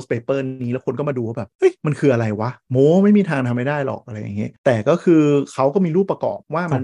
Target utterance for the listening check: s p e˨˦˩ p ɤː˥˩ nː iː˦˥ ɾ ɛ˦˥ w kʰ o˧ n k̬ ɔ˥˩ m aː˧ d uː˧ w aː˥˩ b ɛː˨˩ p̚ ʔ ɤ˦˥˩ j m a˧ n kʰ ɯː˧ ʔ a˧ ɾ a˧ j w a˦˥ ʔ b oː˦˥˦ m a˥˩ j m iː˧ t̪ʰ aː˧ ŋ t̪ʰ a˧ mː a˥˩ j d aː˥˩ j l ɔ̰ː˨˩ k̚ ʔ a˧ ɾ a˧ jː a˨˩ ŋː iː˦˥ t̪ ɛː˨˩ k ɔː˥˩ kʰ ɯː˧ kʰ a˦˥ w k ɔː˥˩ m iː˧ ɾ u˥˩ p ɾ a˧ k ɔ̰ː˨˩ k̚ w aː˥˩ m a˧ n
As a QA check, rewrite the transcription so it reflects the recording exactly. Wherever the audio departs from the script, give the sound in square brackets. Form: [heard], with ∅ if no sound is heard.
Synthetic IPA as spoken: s p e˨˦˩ p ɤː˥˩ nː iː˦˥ [l] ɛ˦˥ w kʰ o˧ n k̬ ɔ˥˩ m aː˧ d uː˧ w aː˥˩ b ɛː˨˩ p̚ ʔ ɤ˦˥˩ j m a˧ n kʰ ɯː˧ ʔ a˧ ɾ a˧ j w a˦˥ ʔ [m] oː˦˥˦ m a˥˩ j m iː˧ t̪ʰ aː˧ ŋ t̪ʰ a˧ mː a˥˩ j d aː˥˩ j l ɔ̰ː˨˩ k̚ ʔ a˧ ɾ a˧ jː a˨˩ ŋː [i˦˥] t̪ ɛː˨˩ k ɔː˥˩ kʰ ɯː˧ kʰ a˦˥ w k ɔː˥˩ m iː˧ ɾ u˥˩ p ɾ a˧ k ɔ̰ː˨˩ [p̚] w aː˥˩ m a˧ n